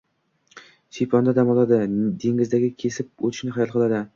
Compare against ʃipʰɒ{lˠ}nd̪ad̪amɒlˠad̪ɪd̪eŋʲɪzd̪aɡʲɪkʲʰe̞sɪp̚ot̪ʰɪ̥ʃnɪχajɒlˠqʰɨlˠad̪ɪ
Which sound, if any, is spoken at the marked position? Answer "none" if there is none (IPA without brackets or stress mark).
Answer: none